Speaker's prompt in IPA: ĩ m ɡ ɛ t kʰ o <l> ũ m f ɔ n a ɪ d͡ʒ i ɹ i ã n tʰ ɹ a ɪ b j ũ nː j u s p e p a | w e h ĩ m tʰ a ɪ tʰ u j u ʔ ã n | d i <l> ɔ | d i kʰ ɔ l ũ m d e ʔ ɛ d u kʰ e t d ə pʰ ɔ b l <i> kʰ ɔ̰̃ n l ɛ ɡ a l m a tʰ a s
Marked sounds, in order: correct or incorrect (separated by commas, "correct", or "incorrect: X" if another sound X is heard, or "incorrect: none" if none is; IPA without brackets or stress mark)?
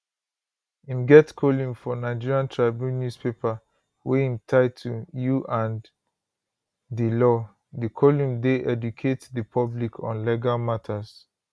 correct, correct, correct